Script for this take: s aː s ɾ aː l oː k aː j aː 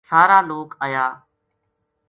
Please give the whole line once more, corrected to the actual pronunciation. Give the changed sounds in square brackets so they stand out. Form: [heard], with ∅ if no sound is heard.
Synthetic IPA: s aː [∅] ɾ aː l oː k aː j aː